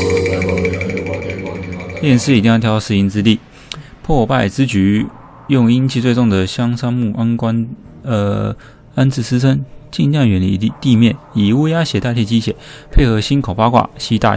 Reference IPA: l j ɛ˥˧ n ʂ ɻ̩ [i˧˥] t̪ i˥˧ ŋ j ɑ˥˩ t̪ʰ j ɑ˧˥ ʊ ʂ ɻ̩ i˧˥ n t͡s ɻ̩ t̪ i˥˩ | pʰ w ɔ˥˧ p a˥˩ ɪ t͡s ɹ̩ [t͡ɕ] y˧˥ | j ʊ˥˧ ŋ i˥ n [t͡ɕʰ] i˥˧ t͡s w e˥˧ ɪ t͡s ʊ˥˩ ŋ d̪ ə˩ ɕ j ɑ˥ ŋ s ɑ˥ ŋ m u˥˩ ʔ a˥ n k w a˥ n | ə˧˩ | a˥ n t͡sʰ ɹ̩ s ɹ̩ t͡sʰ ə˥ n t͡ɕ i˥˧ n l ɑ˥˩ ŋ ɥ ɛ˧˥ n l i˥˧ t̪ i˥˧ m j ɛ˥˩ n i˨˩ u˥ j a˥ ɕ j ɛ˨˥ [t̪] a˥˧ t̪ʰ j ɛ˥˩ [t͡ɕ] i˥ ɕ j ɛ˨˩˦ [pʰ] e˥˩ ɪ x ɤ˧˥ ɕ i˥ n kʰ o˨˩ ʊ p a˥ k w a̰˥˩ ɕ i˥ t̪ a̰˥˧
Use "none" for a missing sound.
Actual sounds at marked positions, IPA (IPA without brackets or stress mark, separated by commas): i˨˩, t͡ɕ, t͡ɕʰ, t̪, t͡ɕ, pʰ